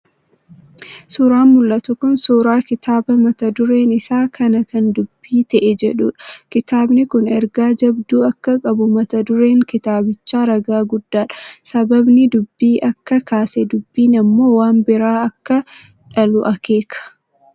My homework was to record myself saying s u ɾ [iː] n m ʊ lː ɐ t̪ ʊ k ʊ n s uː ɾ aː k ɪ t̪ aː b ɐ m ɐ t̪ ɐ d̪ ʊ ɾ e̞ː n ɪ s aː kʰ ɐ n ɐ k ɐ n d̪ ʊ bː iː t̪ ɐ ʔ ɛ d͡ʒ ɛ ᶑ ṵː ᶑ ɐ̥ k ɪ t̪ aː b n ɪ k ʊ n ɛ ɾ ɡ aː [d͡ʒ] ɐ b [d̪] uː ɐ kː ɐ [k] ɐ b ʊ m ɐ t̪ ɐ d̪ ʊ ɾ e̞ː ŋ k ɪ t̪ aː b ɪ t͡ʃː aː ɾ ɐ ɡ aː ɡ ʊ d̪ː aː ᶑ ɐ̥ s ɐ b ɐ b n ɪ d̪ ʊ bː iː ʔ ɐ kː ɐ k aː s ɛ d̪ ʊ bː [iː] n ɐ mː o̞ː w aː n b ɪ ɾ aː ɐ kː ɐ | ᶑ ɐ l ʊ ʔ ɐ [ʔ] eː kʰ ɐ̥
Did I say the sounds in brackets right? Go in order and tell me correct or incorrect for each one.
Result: incorrect: aː, correct, correct, incorrect: kʼ, correct, incorrect: k

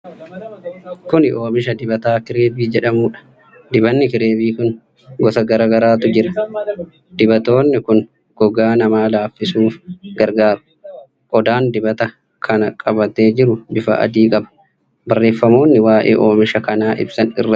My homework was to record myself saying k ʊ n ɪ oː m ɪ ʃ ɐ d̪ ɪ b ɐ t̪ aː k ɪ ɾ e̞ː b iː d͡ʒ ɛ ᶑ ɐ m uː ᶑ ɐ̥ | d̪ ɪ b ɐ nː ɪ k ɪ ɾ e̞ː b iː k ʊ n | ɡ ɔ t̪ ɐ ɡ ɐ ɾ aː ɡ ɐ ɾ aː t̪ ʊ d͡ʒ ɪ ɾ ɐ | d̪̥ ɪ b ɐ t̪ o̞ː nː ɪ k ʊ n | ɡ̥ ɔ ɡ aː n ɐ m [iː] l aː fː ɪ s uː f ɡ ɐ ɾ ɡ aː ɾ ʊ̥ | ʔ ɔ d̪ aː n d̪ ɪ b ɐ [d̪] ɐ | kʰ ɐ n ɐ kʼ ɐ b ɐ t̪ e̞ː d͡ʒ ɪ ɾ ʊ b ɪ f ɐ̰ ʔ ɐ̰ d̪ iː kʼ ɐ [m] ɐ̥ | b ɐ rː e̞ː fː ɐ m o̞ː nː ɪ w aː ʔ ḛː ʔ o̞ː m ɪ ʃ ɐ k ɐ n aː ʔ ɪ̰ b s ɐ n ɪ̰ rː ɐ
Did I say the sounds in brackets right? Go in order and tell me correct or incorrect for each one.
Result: incorrect: aː, incorrect: t̪, incorrect: b

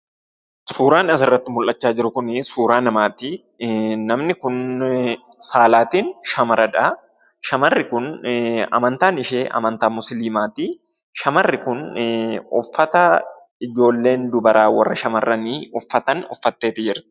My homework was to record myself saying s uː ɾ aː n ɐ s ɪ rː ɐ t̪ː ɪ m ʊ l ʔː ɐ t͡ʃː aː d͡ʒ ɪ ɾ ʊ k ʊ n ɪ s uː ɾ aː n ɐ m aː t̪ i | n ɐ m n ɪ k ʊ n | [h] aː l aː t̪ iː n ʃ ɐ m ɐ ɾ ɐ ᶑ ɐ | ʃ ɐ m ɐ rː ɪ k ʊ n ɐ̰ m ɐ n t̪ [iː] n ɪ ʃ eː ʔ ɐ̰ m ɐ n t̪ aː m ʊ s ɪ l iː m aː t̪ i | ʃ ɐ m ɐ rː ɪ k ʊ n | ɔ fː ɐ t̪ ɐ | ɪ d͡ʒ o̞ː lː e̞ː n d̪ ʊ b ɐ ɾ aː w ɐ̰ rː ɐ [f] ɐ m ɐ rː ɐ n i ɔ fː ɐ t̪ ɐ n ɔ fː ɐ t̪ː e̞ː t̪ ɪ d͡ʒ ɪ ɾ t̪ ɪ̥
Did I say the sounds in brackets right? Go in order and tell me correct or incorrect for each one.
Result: incorrect: s, incorrect: aː, incorrect: ʃ

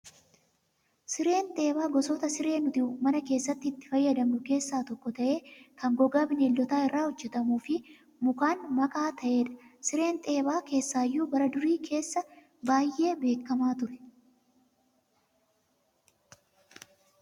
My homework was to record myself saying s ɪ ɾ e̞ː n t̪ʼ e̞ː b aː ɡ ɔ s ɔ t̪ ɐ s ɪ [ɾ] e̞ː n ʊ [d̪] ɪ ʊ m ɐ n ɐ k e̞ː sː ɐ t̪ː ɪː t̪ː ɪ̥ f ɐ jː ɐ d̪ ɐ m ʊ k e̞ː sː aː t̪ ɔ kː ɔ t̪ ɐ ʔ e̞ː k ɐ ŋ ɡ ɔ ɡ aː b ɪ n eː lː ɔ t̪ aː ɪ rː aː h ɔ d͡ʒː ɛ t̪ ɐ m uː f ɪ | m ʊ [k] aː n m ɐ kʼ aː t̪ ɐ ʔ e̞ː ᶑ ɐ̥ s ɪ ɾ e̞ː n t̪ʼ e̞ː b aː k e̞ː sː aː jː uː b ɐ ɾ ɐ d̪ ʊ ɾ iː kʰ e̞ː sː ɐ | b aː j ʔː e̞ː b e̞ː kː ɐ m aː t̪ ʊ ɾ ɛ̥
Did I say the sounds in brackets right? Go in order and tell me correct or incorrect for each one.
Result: correct, incorrect: t̪, correct

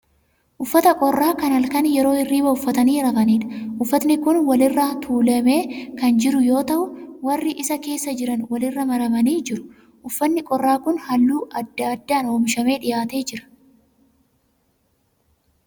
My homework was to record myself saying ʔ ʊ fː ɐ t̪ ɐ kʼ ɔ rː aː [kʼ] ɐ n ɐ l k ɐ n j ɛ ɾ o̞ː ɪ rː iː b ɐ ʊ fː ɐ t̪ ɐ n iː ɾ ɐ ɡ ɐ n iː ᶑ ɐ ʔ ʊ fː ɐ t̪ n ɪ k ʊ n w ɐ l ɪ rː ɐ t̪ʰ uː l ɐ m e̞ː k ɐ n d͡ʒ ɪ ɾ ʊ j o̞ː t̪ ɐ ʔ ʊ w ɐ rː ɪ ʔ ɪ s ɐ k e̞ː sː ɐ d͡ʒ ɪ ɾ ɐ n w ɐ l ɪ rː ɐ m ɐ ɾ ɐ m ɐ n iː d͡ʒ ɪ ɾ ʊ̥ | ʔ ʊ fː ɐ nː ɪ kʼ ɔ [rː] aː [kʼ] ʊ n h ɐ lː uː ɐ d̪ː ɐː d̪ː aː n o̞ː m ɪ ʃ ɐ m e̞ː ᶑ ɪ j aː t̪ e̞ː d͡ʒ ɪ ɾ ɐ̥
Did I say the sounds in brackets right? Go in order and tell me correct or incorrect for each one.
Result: incorrect: k, correct, incorrect: k

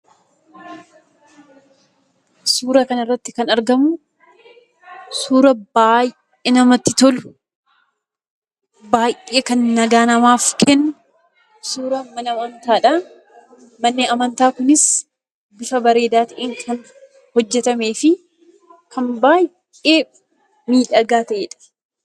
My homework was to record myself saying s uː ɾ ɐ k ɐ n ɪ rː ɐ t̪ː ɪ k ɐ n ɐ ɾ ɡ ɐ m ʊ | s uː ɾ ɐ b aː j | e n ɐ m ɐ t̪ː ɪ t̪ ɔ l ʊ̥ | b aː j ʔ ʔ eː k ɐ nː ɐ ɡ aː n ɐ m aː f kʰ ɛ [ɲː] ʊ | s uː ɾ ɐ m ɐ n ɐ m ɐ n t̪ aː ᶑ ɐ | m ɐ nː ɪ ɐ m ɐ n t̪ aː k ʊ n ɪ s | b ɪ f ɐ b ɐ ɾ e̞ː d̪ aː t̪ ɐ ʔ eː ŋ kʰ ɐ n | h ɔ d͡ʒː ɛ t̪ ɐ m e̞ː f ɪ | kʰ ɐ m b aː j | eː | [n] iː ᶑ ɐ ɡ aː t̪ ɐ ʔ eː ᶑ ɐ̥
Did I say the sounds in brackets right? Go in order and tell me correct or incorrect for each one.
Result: incorrect: nː, incorrect: m

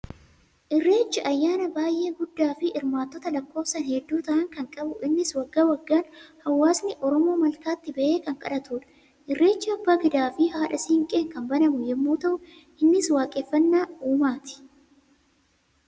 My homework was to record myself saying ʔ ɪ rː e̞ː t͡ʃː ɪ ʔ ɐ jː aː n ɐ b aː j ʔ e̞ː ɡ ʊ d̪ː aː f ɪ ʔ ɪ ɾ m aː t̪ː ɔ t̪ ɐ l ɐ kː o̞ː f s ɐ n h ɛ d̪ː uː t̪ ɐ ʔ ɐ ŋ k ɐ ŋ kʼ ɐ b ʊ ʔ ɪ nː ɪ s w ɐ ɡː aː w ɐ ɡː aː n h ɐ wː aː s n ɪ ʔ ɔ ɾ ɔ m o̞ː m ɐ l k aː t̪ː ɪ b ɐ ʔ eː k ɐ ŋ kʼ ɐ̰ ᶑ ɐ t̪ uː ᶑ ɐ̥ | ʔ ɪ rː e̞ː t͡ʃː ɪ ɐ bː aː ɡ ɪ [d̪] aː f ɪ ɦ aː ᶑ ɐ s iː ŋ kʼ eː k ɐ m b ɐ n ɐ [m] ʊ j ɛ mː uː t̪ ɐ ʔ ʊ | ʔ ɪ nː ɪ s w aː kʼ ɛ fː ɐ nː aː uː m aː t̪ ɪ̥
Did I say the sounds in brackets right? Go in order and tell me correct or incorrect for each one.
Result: correct, correct

